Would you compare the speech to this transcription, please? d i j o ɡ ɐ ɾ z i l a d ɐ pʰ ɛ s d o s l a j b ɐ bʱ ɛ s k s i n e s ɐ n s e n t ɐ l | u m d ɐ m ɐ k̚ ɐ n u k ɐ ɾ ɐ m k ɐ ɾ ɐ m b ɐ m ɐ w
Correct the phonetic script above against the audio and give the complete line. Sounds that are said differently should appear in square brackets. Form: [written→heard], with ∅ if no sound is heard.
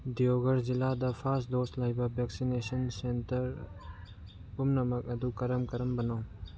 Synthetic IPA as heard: d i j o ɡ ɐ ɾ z i l a d ɐ pʰ [ɛ→a] s d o s l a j b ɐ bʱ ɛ [s→∅] k s i n e s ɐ n s e n t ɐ [l→ɾ] | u m [d→n] ɐ m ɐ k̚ ɐ [n→d] u k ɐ ɾ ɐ m k ɐ ɾ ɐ m b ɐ [m→n] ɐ w